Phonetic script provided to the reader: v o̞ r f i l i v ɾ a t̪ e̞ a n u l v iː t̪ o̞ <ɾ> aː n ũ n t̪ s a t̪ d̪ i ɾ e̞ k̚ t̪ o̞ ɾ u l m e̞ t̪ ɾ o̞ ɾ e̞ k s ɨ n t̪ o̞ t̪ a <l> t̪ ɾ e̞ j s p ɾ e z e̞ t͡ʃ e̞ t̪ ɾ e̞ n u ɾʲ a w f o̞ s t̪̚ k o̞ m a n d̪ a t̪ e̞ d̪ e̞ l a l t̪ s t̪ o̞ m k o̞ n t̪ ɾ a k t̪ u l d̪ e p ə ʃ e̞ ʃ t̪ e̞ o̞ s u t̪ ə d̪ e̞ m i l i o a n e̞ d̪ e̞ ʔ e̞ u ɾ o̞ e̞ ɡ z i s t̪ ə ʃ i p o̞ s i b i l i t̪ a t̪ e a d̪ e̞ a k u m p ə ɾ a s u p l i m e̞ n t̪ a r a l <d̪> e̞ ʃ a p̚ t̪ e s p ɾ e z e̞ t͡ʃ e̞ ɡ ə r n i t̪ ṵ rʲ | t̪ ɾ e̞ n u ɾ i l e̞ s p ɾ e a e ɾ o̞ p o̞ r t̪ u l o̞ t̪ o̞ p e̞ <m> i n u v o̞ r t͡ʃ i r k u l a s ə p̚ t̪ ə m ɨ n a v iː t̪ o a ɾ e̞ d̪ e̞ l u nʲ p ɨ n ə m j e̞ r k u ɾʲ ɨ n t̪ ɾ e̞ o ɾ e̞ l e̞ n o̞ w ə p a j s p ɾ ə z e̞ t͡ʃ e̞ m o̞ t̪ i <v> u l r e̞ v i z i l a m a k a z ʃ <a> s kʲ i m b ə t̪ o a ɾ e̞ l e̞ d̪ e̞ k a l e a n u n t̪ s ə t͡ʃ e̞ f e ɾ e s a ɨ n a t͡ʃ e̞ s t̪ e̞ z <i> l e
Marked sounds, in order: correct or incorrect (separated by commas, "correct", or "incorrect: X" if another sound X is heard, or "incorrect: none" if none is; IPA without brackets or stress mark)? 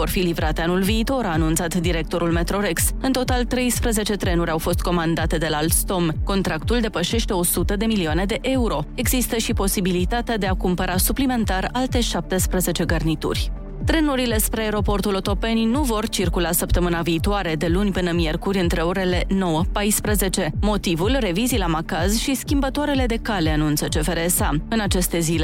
correct, correct, incorrect: t̪, incorrect: n, correct, incorrect: i, correct